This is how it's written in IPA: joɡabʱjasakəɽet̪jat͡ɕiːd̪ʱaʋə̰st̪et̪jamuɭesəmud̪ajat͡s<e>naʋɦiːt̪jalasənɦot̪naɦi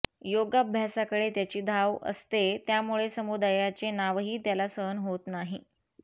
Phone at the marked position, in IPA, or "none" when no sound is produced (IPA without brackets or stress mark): e